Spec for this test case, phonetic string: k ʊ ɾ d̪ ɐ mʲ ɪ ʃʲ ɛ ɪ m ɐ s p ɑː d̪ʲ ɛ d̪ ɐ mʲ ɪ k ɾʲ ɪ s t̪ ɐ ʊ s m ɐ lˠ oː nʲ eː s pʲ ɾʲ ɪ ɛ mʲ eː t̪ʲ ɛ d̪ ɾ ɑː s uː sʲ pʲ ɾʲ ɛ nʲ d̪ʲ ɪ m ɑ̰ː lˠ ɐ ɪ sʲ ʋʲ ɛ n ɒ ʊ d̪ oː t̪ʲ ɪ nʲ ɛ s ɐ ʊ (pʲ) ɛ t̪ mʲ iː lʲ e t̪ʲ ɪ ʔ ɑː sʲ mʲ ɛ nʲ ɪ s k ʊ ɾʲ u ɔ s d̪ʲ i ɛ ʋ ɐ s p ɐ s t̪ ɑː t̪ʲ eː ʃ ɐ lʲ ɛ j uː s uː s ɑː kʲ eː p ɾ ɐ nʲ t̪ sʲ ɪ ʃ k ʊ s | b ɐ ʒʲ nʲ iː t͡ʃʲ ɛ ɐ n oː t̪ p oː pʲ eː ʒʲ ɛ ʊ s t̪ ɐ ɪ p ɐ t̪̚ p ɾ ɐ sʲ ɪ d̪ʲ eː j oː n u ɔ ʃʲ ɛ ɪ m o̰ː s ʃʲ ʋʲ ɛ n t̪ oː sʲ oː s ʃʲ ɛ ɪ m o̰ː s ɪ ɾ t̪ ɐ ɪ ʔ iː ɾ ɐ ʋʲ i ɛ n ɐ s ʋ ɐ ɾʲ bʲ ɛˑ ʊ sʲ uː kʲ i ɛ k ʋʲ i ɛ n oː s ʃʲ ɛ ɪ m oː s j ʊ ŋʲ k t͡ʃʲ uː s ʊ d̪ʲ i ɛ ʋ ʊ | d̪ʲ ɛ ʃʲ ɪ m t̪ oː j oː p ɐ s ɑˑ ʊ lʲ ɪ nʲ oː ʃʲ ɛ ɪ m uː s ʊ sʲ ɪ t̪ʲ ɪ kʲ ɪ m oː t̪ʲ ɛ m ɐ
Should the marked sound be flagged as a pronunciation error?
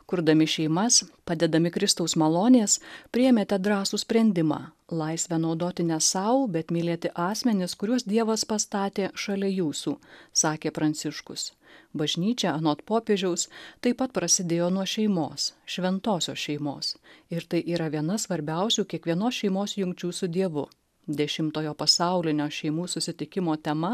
yes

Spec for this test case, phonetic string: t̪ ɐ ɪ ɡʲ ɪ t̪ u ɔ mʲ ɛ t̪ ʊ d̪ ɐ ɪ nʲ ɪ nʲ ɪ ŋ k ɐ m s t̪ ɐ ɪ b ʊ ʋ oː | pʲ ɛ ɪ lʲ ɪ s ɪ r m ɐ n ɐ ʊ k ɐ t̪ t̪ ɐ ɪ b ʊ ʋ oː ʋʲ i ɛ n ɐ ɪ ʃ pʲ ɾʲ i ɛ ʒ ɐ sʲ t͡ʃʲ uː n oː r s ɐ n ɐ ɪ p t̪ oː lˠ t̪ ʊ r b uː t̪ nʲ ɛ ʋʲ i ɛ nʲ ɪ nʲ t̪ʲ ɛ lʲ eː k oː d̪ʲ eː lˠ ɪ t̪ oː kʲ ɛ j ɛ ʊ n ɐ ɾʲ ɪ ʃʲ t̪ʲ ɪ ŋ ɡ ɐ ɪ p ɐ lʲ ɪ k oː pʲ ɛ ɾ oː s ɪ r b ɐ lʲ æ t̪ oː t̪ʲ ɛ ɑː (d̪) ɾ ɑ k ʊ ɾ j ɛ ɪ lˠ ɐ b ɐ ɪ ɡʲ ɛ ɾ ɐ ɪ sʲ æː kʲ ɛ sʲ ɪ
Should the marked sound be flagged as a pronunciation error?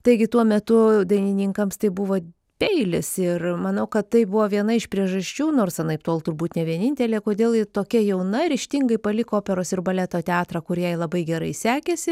yes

